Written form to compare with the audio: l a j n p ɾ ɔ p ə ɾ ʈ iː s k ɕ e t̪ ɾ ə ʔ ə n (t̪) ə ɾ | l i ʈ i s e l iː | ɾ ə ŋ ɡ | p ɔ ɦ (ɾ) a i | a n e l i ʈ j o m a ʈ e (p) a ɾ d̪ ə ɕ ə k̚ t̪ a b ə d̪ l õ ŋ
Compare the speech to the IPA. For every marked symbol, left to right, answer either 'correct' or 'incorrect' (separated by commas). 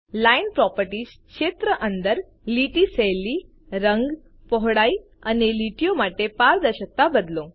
incorrect, incorrect, correct